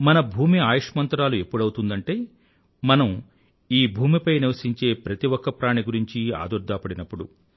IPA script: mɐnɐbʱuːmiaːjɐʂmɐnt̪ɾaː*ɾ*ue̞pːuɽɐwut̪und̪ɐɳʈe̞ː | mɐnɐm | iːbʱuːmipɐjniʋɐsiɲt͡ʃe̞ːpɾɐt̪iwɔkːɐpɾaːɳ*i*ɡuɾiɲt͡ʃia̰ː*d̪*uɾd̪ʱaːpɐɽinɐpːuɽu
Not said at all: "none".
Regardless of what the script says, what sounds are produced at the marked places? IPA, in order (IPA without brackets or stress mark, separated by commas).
l, i, d̪